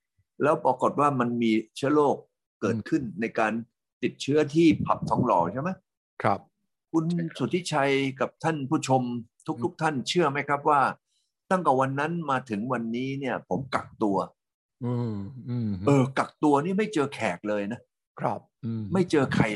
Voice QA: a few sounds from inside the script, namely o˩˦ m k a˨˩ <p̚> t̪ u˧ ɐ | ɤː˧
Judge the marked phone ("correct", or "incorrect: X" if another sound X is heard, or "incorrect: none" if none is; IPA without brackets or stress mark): incorrect: k̚